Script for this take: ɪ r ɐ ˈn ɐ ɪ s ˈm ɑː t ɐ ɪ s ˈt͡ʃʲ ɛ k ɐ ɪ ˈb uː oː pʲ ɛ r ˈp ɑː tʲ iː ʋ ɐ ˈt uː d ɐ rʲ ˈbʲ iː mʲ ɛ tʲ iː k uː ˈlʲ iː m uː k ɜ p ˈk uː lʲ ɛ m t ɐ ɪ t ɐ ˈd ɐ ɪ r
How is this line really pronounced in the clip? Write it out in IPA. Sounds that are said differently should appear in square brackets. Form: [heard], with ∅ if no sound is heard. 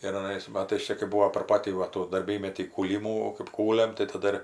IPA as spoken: ɪ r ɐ ˈn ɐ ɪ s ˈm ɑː t ɐ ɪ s ˈt͡ʃʲ ɛ k ɐ ɪ ˈb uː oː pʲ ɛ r ˈp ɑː tʲ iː ʋ ɐ ˈt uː d ɐ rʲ ˈbʲ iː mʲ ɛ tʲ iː k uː ˈlʲ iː m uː k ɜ p ˈk uː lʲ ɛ m t ɐ ɪ t ɐ ˈd ɐ ɪ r